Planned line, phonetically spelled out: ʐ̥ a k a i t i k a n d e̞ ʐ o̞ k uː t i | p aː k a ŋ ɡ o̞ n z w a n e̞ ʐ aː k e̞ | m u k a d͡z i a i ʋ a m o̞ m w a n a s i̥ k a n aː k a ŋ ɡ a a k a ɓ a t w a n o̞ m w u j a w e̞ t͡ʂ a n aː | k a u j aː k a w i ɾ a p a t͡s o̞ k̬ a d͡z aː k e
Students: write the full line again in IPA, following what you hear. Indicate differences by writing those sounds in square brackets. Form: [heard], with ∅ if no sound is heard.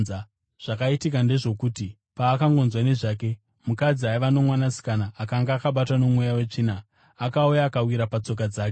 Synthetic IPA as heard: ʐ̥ a k a i t i k a n d e̞ ʐ o̞ k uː t i | p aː k a ŋ ɡ o̞ n z w a n e̞ ʐ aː k e̞ | m u k a d͡z i a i ʋ a [n] o̞ m w a n a s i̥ k a n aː k a ŋ ɡ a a k a ɓ a t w a n o̞ m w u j a w e̞ t͡ʂ [i] n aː | k a u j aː k a w i ɾ a p a t͡s o̞ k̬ a d͡z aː k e